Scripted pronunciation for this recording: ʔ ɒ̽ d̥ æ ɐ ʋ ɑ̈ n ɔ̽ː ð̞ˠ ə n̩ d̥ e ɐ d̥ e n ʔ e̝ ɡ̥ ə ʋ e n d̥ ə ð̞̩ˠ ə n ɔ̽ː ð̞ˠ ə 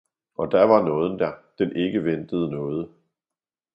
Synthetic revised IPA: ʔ ɒ̽ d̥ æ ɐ ʋ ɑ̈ n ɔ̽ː ð̞ˠ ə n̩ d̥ æ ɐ d̥ e n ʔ e̝ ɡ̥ ə ʋ e n d̥ ə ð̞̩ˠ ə n ɔ̽ː ð̞ˠ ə